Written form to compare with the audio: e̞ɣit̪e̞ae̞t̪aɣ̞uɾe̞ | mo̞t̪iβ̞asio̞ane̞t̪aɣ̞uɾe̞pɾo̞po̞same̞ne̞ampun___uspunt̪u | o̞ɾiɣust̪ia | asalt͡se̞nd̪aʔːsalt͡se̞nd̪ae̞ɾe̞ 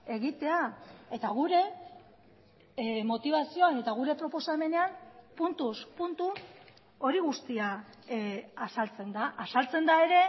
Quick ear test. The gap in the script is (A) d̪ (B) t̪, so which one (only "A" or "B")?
B